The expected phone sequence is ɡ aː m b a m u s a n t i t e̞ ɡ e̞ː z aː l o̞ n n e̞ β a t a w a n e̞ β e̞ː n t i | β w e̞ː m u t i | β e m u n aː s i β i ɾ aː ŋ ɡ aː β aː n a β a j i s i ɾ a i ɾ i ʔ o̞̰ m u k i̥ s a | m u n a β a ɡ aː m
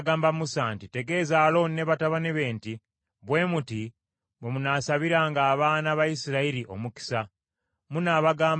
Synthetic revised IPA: ɡ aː m b a m u s a n t i t e̞ ɡ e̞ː z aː l o̞ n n e̞ β a t a β a n e̞ β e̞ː n t i | β w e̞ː m u t i | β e m u n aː s a β i ɾ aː ŋ ɡ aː β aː n a β a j i s i ɾ a i ɾ i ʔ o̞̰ m u k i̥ s a | m u n a β a ɡ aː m